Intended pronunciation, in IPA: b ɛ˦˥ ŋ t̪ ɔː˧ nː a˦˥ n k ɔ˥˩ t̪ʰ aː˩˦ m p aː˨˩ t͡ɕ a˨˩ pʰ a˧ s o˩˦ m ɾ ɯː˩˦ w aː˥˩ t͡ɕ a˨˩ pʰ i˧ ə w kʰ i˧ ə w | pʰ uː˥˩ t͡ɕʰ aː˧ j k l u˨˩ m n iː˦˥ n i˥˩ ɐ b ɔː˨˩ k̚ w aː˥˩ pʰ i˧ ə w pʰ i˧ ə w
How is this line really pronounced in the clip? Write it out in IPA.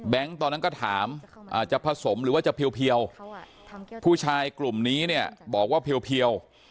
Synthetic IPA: b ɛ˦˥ ŋ t̪ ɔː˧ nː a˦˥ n k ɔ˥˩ t̪ʰ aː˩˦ m ʔ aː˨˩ t͡ɕ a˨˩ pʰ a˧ s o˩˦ m ɾ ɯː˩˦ w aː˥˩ t͡ɕ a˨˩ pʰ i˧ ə w pʰ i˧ ə w | pʰ uː˥˩ t͡ɕʰ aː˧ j k l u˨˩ m n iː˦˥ n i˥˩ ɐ b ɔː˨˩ k̚ w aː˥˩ pʰ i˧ ə w pʰ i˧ ə w